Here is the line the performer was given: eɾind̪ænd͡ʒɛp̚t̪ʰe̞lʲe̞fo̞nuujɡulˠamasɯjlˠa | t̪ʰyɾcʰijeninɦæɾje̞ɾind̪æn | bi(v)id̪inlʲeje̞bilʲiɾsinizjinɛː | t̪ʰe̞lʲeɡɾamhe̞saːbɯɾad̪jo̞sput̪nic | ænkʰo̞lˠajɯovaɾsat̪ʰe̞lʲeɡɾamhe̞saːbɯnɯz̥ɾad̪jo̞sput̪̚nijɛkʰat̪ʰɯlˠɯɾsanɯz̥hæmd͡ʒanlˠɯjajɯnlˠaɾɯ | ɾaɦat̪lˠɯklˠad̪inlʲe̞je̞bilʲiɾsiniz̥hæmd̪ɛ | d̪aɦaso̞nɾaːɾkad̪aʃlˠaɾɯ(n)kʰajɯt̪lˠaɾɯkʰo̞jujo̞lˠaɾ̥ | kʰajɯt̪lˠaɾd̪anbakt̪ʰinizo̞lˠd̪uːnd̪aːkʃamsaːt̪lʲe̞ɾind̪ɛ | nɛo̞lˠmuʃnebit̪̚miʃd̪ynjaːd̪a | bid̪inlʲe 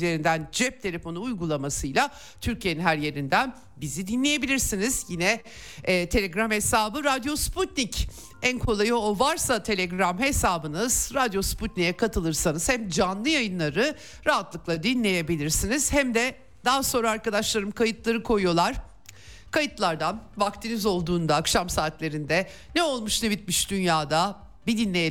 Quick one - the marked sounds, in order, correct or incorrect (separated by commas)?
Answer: incorrect, incorrect